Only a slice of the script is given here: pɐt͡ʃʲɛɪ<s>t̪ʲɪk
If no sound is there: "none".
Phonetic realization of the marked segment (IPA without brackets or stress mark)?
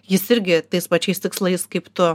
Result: s